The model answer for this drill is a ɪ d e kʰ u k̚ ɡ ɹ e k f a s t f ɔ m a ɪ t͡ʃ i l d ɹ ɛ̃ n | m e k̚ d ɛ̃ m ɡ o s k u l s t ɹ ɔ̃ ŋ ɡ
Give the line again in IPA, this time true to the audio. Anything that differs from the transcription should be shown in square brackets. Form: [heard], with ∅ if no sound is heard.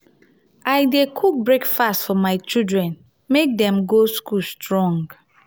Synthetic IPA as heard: a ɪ d e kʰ u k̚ [b] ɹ e k f a s t f ɔ m a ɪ t͡ʃ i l d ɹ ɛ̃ n | m e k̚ d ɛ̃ m ɡ o s k u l s t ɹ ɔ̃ ŋ ɡ